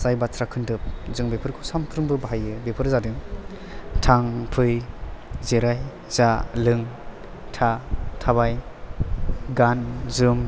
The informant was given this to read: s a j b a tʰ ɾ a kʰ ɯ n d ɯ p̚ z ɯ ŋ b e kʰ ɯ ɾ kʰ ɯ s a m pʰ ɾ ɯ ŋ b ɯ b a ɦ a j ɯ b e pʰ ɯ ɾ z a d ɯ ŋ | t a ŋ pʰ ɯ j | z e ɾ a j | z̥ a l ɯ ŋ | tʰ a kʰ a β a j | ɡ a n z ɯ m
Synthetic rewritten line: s a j b a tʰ ɾ a kʰ ɯ n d ɯ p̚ z ɯ ŋ b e pʰ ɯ ɾ kʰ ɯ s a m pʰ ɾ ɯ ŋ b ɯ b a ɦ a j ɯ b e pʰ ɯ ɾ z a d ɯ ŋ | tʰ a ŋ pʰ ɯ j | z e ɾ a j | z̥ a l ɯ ŋ | tʰ a tʰ a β a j | ɡ a n z ɯ m